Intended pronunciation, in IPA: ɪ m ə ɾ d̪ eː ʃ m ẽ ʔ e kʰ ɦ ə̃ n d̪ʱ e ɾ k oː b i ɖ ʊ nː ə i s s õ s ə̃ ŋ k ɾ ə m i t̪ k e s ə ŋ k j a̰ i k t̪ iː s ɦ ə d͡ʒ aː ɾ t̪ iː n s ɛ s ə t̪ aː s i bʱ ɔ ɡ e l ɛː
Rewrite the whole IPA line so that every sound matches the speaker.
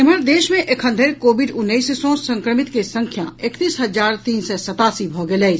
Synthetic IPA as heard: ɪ m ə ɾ d̪ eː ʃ m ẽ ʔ e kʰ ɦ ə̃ n d̪ʱ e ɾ k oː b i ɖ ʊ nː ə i s s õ s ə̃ ŋ k ɾ ə m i t̪ k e s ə ŋ kʰ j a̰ e k t̪ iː s ɦ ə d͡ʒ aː ɾ t̪ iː n s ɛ s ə t̪ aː s i bʱ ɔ ɡ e l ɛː